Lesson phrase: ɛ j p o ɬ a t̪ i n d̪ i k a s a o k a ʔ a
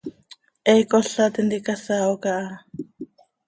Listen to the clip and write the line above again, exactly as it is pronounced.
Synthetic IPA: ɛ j k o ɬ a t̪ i n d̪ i k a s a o k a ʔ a